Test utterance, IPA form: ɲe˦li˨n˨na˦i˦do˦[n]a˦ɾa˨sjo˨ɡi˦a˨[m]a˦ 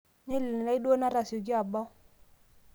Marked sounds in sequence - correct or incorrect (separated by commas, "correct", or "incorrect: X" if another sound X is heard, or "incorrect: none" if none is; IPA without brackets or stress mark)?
correct, incorrect: b